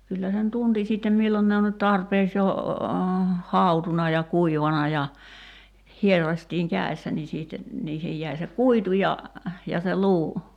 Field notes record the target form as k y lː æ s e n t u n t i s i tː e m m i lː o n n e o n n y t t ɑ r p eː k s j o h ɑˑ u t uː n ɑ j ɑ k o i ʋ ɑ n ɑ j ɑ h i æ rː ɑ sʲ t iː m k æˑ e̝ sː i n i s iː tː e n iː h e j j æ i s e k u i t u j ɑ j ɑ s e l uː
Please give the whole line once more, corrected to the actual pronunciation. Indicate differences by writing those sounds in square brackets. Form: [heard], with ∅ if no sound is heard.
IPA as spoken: k y lː æ s e n t u n t i s i tː e m m i lː o n n e o n n y t t ɑ r p eː k s j o h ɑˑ u t [u] n ɑ j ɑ k [u] i ʋ ɑ n ɑ j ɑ h i [e] rː ɑ sʲ t iː [ŋ] k æˑ e̝ sː [æ] n i s iː tː e n iː h e j j æ i s e k u i t u j ɑ j ɑ s e l uː